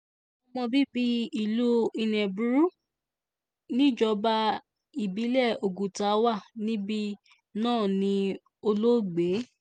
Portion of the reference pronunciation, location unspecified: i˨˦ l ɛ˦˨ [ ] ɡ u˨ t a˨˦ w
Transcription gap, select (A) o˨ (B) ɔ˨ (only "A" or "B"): A